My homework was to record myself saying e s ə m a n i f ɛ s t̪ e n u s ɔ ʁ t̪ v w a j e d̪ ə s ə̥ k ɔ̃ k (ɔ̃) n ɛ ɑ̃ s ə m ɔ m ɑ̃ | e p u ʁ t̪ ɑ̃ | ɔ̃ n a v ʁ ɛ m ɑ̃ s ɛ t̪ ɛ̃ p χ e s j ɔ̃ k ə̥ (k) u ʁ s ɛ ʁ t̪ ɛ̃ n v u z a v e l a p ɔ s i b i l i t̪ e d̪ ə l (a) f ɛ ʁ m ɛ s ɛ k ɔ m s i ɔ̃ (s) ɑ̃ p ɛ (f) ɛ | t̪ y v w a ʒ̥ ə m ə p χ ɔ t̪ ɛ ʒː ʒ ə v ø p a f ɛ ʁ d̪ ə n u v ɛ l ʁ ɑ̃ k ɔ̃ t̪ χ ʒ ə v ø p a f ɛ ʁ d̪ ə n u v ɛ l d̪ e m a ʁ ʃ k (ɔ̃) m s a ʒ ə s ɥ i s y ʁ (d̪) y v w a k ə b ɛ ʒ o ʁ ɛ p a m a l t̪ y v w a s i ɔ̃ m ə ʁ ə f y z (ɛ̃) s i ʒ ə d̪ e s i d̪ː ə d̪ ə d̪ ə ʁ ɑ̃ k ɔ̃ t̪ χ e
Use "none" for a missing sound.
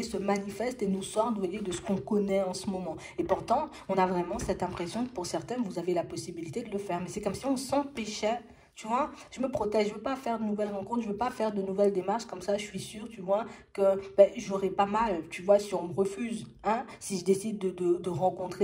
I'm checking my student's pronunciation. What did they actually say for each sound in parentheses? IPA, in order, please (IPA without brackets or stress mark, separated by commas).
ɔ, p, ə, s, ʃ, ɔ, t̪, ɛ̃